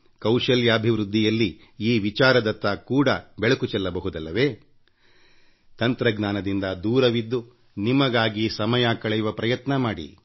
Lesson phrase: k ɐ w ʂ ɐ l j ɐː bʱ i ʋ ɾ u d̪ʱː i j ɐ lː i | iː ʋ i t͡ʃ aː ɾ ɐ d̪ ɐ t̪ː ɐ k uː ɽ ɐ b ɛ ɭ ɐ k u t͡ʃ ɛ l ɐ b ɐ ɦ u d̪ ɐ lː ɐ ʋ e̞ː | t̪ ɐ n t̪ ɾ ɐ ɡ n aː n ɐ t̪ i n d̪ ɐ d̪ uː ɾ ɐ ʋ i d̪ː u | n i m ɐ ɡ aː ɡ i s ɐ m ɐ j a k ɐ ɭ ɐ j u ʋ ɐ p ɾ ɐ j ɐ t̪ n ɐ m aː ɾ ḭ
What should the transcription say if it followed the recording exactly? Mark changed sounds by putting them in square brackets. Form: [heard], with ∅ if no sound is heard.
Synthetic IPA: k ɐ w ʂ ɐ l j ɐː bʱ i ʋ ɾ u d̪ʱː i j ɐ lː i | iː ʋ i t͡ʃ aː ɾ ɐ d̪ ɐ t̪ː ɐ k uː ɽ ɐ b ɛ ɭ ɐ k u t͡ʃ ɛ [lː] ɐ b ɐ ɦ u d̪ ɐ lː ɐ ʋ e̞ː | t̪ ɐ n t̪ ɾ ɐ ɡ n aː n ɐ [d̪] i n d̪ ɐ d̪ uː ɾ ɐ ʋ i d̪ː u | n i m ɐ ɡ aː ɡ i s ɐ m ɐ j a k ɐ ɭ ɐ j u ʋ ɐ p ɾ ɐ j ɐ t̪ n ɐ m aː [ɽ] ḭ